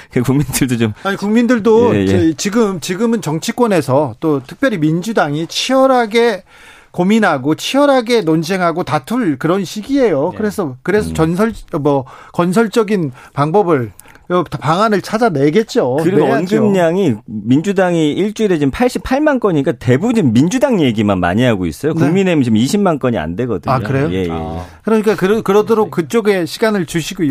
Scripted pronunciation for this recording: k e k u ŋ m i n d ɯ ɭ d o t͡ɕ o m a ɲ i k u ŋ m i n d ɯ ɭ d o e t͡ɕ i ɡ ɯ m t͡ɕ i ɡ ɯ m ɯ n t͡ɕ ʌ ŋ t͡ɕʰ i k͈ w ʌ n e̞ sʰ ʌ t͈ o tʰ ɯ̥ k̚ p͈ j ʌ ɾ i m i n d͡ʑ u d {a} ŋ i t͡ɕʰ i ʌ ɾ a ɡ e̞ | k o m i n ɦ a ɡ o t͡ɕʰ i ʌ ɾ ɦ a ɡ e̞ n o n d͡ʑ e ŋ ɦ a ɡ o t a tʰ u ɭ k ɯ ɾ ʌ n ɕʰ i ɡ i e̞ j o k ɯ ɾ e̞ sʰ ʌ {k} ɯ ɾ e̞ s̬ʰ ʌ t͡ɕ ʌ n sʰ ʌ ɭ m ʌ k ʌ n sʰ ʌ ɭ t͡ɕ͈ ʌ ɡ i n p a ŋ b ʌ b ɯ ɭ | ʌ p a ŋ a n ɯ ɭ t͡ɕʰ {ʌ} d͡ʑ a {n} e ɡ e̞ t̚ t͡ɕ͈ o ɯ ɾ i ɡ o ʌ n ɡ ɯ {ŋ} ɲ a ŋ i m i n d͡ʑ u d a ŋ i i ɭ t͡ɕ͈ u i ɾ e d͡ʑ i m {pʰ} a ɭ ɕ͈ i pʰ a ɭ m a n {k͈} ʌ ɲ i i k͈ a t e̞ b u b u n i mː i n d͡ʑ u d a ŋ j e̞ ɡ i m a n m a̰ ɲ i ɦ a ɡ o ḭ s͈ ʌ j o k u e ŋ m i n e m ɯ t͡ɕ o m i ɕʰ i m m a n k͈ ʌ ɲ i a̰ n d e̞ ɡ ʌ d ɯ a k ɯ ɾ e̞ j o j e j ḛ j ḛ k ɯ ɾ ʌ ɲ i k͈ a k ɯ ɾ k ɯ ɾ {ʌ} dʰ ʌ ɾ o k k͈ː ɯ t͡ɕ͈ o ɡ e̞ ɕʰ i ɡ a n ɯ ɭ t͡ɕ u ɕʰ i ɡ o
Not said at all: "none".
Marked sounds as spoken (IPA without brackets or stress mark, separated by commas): a, k, a, n, m, pʰ, k͈, ʌ